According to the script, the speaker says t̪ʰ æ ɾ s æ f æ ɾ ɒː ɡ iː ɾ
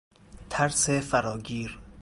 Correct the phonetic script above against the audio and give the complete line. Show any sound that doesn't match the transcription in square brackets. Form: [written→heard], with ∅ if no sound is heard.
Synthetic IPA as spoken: t̪ʰ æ ɾ s [æ→e] f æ ɾ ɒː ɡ iː ɾ

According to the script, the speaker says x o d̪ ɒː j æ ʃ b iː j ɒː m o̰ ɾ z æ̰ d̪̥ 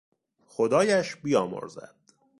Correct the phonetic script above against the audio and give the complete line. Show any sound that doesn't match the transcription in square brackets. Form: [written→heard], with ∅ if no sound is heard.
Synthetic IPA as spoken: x o d̪ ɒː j æ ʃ b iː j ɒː m o̰ ɾ z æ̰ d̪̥

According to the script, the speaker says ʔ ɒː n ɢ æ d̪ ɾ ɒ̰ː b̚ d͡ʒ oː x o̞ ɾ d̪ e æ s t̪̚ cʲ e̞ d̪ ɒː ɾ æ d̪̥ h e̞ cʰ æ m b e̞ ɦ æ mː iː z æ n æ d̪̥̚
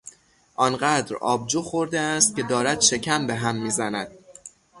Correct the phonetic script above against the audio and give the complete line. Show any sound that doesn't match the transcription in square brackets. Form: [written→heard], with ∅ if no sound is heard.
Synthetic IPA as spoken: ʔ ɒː n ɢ æ d̪ ɾ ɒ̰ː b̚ d͡ʒ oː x o̞ ɾ d̪ e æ s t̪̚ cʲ e̞ d̪ ɒː ɾ æ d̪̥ [h→ʃ] e̞ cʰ æ m b e̞ ɦ æ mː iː z æ n æ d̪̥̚

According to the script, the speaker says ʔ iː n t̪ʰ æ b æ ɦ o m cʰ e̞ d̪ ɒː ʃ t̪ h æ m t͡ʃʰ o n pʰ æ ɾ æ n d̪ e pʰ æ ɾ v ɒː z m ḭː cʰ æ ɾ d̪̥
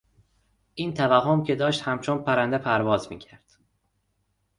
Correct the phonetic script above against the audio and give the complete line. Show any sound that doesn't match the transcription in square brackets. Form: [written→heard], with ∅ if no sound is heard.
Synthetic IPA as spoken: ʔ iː n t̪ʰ æ [b→v] æ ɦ o m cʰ e̞ d̪ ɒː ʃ t̪ h æ m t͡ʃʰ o n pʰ æ ɾ æ n d̪ e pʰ æ ɾ v ɒː z m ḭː cʰ æ ɾ d̪̥

